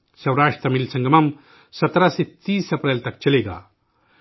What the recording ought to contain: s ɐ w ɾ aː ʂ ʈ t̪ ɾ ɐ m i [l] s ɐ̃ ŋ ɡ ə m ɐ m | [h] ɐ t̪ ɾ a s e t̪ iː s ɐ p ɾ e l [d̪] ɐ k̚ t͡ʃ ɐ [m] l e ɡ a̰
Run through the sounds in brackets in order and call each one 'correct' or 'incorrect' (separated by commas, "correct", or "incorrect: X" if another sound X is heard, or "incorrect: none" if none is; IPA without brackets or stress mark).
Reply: correct, incorrect: s, incorrect: t̪, incorrect: none